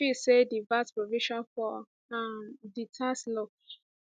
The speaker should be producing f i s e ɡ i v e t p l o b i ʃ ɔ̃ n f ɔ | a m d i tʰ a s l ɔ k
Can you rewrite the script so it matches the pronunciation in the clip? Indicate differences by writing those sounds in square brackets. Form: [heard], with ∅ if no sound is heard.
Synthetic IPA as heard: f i s e [d] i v [a] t p [ɹ] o [v] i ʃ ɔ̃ n f ɔ | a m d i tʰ a s l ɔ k